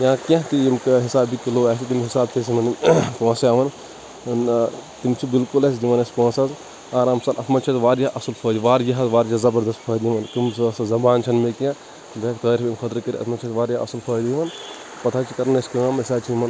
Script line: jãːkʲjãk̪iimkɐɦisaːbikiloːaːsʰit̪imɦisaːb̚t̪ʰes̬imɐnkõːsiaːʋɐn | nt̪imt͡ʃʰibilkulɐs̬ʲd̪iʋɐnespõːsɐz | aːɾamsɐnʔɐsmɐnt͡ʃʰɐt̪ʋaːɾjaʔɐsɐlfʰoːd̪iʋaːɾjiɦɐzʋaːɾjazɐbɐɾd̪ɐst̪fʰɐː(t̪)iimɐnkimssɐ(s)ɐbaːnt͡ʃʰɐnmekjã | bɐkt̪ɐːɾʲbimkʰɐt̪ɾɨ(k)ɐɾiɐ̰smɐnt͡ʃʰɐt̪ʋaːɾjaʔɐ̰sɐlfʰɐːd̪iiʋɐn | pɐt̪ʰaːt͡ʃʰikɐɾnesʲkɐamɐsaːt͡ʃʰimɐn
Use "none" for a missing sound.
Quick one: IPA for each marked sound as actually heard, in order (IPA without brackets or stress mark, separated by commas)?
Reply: d̪, z, k